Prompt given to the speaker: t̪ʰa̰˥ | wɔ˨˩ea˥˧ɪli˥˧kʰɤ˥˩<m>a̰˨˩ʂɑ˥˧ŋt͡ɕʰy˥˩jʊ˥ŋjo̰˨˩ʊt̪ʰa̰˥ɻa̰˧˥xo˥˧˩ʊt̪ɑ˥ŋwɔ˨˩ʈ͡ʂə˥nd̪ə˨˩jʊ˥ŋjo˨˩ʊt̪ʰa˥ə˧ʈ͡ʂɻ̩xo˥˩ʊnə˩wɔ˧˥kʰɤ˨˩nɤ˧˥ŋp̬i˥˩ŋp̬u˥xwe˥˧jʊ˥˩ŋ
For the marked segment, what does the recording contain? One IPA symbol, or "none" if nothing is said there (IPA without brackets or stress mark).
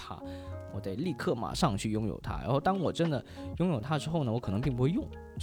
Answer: m